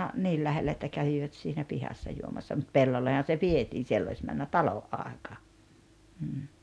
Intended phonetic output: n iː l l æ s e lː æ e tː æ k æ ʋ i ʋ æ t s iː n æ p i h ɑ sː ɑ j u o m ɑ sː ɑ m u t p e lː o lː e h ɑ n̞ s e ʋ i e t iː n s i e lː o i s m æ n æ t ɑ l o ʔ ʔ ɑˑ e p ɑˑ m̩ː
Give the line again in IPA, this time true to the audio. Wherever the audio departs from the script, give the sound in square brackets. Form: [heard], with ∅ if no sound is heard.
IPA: n iː l l æ [h] e lː æ e tː æ k æ ʋ i ʋ æ t s iː n æ p i h ɑ sː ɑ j u o m ɑ sː ɑ m u t p e lː o lː e h ɑ n̞ s e ʋ i e t iː n s i e lː o i s m æ [nː] æ t ɑ l o ʔ ʔ ɑˑ e [k] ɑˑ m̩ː